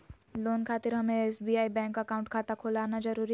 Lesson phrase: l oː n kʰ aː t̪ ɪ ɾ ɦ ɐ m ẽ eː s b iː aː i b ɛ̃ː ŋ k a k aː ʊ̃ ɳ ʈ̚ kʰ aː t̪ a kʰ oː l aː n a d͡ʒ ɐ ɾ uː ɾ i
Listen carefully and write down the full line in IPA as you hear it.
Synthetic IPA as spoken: l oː n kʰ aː t̪ ɪ ɾ ɦ ɐ m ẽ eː s b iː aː i b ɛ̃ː ŋ k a k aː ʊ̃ ɳ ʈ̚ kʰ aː t̪ a kʰ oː l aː n a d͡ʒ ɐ ɾ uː ɾ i